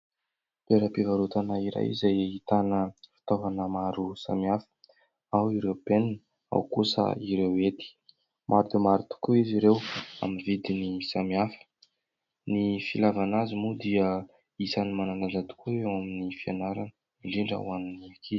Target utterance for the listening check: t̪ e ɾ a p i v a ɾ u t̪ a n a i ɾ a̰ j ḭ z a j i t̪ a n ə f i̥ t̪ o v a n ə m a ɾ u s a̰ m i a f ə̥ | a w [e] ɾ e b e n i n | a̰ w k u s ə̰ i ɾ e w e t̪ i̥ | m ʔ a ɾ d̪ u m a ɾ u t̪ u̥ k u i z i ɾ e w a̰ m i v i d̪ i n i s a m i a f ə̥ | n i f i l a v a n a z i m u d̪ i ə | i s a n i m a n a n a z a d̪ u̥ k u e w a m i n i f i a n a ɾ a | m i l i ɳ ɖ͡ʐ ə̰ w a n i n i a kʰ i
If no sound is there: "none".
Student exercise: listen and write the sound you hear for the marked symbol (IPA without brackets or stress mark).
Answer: i